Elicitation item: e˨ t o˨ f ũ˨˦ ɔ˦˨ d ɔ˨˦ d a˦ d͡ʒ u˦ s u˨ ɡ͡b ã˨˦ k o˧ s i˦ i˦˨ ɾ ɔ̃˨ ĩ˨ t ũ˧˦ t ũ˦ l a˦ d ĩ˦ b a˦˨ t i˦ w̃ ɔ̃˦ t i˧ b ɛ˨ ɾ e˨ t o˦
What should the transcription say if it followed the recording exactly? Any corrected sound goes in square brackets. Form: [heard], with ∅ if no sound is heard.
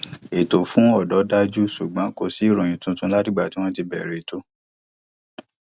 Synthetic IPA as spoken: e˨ t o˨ f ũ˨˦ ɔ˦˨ d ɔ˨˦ d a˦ d͡ʒ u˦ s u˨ ɡ͡b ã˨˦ k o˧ s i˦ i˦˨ ɾ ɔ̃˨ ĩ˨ t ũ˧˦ t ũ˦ l a˦ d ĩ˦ [ɡ͡b] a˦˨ t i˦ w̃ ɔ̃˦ t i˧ b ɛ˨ ɾ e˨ t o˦